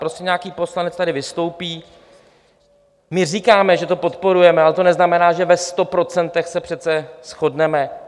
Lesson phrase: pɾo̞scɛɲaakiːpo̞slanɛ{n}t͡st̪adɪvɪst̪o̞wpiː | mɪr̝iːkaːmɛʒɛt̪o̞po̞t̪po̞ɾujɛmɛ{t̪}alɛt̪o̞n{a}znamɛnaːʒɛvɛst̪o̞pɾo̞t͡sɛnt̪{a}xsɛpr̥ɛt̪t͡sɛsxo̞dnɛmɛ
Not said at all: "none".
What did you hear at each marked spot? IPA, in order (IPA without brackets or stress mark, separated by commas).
none, none, ɛ, ɛ